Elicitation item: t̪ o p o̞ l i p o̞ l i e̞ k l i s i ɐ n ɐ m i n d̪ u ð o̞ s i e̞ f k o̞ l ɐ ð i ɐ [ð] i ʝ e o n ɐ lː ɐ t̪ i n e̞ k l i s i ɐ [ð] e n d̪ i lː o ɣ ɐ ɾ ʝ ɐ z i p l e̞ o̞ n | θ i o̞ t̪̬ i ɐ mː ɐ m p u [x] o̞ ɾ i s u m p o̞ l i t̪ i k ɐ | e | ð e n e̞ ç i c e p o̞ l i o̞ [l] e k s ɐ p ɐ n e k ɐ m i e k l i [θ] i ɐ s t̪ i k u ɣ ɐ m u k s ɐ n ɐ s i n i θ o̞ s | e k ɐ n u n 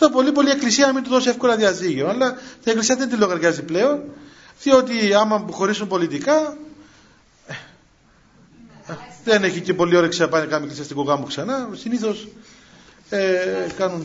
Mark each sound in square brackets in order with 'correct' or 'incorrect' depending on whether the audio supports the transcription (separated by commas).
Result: incorrect, correct, correct, incorrect, incorrect